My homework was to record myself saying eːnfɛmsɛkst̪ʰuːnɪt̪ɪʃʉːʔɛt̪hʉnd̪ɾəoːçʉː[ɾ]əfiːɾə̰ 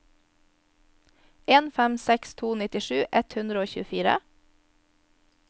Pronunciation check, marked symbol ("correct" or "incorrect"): incorrect